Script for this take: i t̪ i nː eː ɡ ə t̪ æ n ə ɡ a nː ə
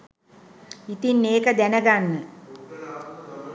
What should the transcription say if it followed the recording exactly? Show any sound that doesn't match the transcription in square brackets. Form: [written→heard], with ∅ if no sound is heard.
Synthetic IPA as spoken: i t̪ i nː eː [ɡ→k] ə [t̪→d̪] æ n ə ɡ a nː ə